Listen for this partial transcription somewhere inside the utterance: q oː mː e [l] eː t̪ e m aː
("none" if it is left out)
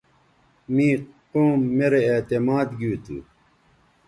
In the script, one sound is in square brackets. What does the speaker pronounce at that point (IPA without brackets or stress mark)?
ɾ